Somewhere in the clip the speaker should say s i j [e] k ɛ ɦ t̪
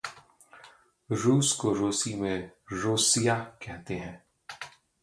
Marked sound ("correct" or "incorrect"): incorrect